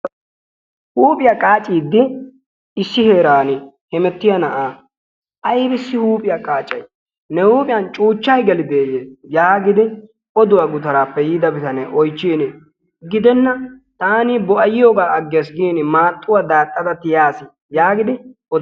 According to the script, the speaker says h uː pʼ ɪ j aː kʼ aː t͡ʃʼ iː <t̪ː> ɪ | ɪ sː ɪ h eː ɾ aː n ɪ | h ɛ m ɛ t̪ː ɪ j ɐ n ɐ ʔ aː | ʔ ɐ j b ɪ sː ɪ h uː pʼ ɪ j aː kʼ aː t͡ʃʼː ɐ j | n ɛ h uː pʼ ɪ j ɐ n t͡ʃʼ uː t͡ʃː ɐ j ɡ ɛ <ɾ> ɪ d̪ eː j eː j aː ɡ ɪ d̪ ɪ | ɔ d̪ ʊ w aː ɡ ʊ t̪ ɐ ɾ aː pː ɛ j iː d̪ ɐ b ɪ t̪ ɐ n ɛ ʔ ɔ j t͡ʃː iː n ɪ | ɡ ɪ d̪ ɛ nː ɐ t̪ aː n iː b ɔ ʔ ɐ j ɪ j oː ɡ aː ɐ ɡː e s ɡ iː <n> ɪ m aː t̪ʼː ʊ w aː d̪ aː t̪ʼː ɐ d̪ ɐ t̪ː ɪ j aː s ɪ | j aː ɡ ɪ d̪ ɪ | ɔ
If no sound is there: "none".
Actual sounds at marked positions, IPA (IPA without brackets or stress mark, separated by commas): d̪ː, l, n